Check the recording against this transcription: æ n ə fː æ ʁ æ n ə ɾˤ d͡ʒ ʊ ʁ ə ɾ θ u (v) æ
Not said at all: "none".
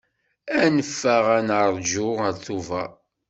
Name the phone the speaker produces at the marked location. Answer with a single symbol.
v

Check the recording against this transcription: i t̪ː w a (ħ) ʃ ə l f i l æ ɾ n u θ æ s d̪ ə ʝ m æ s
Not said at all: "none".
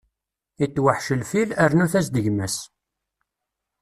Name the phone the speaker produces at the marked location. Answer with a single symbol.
ħ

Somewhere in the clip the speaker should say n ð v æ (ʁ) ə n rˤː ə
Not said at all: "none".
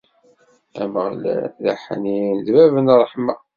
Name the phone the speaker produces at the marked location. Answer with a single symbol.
v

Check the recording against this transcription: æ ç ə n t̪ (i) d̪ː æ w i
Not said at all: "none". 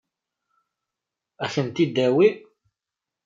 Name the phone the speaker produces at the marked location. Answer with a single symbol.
i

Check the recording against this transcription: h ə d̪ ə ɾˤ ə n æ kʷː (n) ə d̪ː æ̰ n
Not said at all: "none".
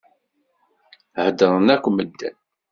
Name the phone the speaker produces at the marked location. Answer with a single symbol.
m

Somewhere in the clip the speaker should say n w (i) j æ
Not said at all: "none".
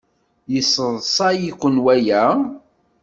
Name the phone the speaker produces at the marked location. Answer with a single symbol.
æ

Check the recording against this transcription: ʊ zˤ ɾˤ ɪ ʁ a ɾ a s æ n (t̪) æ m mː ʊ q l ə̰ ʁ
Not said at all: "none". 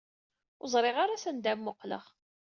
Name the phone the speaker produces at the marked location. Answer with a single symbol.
d̪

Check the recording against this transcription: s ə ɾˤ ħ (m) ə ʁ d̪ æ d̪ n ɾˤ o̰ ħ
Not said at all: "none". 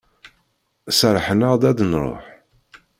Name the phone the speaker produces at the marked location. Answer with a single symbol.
n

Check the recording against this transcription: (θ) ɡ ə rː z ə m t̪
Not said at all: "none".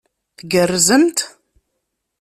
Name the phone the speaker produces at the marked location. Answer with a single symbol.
θ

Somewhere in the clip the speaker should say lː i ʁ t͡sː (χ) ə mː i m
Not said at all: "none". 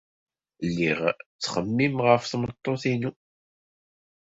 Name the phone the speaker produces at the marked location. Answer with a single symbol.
χ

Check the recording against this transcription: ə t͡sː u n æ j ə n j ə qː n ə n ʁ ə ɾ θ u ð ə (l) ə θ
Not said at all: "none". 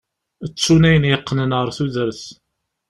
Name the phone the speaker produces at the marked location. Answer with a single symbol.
ɾ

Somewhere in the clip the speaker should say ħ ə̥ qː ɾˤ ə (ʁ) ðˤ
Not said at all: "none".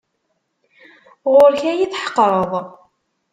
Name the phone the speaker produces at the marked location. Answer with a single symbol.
none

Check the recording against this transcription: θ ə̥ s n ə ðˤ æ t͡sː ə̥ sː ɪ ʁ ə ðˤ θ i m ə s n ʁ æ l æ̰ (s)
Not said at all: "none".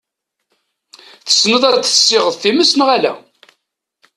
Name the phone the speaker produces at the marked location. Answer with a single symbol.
none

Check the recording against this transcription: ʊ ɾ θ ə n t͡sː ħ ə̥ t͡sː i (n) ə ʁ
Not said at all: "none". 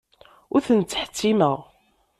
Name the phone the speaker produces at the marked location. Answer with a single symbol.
m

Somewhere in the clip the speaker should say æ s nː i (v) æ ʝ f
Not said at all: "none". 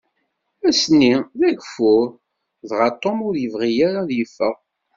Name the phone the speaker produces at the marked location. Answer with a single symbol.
ð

